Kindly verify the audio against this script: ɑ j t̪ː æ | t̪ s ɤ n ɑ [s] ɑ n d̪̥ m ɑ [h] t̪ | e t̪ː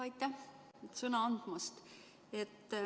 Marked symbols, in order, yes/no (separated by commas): no, no